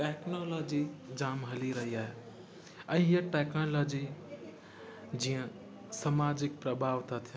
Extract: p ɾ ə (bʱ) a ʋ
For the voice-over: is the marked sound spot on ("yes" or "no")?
yes